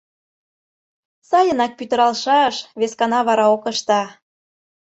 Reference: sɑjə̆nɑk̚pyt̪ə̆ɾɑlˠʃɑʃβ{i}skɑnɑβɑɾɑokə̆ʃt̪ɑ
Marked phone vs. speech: incorrect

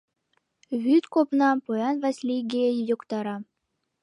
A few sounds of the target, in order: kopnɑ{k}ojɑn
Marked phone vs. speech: incorrect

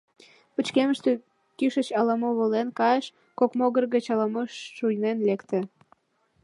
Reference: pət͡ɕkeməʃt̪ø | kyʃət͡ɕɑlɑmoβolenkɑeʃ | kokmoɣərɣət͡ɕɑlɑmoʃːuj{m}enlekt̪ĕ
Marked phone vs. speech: incorrect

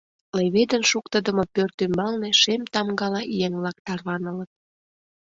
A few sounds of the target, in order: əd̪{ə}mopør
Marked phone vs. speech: correct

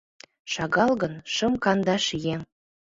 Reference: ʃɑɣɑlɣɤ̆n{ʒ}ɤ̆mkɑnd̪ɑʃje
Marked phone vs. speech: incorrect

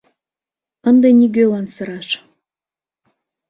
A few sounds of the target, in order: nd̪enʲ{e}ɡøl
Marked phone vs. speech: incorrect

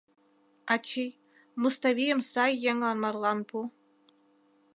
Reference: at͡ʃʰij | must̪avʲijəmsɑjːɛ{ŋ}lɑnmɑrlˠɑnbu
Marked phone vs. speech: correct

